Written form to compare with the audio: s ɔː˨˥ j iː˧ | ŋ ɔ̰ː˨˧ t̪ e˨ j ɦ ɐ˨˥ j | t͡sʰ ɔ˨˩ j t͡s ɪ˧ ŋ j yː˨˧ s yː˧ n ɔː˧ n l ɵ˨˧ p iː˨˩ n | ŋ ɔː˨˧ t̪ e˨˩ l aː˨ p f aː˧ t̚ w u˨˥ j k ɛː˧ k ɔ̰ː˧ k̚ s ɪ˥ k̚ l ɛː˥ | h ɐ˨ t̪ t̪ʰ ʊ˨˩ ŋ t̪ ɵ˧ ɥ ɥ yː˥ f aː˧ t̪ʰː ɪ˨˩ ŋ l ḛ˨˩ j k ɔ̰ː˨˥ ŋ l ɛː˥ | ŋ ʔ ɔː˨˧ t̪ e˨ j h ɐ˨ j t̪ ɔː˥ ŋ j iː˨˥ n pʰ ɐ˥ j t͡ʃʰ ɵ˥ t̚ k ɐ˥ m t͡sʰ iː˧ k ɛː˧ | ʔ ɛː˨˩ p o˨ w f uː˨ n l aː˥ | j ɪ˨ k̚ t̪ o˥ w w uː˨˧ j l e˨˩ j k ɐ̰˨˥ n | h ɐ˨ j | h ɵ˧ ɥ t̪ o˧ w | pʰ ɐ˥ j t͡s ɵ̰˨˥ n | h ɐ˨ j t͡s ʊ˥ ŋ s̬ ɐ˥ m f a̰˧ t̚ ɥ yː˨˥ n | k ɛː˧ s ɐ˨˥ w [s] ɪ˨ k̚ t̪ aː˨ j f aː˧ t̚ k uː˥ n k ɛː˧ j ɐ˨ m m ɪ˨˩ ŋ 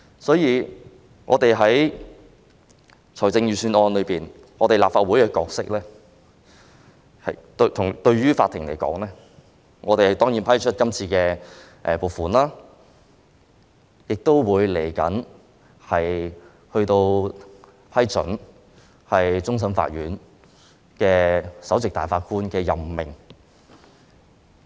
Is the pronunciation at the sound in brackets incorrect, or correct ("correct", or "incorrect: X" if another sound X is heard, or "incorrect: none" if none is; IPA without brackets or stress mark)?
incorrect: t͡s